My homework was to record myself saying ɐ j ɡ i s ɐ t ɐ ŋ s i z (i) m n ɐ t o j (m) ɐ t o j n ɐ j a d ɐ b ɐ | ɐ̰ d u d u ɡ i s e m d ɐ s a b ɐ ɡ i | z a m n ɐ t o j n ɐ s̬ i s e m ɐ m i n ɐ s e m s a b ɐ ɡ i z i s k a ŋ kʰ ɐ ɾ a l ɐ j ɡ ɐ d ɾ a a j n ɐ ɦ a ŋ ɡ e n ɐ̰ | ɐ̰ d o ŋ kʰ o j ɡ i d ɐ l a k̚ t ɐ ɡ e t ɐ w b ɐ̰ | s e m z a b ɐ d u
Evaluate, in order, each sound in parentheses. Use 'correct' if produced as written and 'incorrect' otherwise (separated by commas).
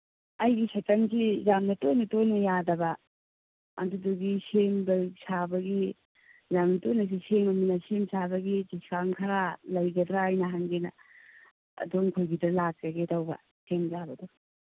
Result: incorrect, incorrect